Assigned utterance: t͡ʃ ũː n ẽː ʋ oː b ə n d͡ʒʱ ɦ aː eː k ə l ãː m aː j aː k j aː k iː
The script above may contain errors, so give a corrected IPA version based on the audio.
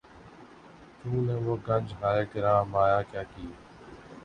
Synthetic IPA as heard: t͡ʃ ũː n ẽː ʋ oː ɡ ə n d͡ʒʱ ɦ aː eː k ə ɾ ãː m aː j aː k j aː k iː